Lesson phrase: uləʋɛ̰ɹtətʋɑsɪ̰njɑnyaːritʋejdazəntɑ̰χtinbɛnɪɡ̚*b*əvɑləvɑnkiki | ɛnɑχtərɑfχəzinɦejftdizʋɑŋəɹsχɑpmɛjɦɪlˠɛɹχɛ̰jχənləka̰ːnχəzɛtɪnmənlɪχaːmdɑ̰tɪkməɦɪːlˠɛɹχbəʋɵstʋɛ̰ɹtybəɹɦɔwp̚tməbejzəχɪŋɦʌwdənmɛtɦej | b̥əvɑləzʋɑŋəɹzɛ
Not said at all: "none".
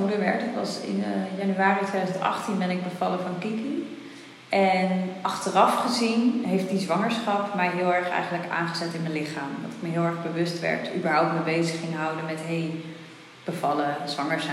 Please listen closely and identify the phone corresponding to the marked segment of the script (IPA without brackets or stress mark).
b